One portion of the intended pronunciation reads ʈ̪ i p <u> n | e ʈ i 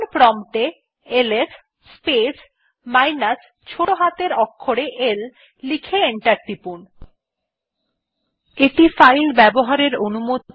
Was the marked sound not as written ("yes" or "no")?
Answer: no